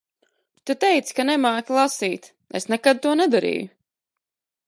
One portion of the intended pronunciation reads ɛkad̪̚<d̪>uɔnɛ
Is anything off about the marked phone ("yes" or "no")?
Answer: yes